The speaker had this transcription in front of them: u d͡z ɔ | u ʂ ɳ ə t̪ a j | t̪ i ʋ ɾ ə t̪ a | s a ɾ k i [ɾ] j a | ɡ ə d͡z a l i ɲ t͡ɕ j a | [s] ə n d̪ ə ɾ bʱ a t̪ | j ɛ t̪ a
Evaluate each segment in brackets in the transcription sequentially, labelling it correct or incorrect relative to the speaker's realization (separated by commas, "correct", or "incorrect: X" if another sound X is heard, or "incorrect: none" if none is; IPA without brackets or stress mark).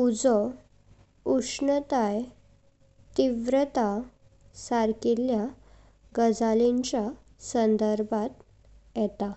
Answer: incorrect: l, correct